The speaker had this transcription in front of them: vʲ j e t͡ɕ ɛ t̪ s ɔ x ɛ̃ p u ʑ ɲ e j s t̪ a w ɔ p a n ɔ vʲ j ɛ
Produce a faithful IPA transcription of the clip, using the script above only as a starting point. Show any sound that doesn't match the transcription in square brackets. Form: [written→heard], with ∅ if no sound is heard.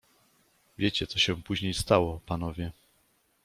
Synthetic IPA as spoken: vʲ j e t͡ɕ ɛ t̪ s ɔ [x→ɕ] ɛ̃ p u ʑ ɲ e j s t̪ a w ɔ p a n ɔ vʲ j ɛ